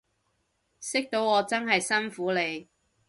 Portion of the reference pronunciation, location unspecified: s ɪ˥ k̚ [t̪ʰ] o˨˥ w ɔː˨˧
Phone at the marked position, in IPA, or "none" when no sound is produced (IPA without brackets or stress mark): t̪